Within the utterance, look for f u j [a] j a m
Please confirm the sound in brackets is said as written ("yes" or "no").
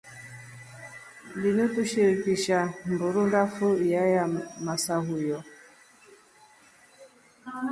yes